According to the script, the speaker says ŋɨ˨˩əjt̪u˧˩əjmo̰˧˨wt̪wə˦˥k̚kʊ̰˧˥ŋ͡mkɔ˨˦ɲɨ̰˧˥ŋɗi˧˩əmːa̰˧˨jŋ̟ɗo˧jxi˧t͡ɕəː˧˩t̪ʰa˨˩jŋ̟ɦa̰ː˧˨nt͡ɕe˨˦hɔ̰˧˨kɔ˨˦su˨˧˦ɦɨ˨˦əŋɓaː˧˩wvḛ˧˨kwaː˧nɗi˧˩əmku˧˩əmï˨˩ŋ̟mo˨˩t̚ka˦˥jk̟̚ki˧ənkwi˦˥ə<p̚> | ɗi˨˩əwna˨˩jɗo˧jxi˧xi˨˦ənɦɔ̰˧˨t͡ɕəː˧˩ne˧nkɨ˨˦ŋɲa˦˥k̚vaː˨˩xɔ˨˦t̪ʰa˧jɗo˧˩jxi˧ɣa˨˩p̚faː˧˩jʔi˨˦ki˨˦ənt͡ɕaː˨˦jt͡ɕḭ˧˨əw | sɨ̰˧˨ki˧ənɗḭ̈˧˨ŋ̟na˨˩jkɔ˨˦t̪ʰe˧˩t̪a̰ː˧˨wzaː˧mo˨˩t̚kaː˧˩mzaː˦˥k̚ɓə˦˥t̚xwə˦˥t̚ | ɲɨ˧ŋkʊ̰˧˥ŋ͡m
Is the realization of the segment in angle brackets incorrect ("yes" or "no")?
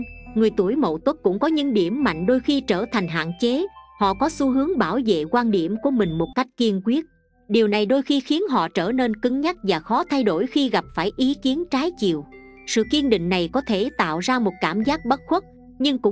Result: yes